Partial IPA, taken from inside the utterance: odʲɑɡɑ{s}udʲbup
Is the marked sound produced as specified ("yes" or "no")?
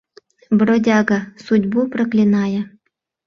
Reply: yes